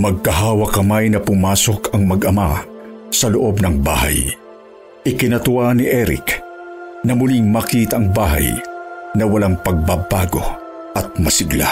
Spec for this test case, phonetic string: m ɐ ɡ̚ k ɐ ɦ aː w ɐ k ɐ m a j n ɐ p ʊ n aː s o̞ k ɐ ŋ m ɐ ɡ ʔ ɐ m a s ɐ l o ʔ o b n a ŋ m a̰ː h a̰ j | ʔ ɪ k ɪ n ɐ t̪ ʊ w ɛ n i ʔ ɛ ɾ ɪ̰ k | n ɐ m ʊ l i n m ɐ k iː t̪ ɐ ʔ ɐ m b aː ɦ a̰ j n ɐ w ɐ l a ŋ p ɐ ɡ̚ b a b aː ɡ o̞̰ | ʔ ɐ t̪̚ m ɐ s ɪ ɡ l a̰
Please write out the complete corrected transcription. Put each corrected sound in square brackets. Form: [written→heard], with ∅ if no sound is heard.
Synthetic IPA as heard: m ɐ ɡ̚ k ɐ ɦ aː w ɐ k ɐ m a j n ɐ p ʊ [n→m] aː s o̞ k ɐ ŋ m ɐ ɡ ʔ ɐ m a s ɐ l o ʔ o b n [a→ɐ] ŋ [m→b] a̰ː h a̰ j | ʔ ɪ k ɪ n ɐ t̪ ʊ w [ɛ→a] n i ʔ ɛ ɾ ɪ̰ k | n ɐ m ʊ l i [n→ŋ] m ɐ k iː t̪ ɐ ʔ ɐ [m→ŋ] b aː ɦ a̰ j n ɐ w ɐ l a ŋ p ɐ ɡ̚ b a b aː ɡ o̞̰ | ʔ ɐ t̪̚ m ɐ s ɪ ɡ l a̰